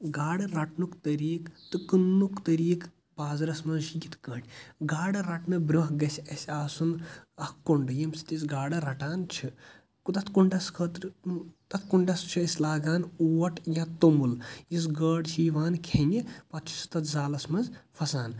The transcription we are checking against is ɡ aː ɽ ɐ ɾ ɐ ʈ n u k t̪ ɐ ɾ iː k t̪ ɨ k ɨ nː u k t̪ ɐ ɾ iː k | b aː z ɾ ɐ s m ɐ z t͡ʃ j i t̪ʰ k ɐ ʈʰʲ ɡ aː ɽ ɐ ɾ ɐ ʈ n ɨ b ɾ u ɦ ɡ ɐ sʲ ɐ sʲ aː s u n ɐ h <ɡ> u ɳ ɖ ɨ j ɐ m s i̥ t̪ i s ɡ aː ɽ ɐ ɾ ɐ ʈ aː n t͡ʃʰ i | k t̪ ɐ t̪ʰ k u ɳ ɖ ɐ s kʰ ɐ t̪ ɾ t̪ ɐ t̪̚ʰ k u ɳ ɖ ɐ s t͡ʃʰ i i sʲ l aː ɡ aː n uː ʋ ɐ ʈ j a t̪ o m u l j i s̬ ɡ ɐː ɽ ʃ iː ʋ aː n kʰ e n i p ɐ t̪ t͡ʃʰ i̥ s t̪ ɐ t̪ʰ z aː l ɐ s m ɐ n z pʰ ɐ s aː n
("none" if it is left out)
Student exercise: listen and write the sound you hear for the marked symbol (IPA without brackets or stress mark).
k